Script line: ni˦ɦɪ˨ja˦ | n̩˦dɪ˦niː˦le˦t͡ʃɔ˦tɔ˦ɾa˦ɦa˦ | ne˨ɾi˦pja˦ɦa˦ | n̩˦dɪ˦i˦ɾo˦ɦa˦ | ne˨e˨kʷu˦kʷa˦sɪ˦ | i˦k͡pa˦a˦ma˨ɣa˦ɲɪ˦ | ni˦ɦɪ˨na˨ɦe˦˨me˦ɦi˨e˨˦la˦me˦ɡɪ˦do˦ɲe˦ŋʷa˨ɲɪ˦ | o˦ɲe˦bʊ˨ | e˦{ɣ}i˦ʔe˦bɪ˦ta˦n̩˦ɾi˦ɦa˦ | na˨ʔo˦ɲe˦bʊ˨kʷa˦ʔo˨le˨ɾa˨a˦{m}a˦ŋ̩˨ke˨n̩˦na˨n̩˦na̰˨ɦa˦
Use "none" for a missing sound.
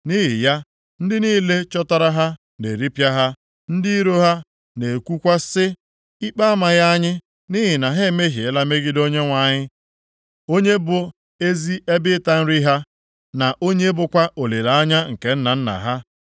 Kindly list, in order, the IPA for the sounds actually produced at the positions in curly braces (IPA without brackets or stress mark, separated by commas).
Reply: z, ɲ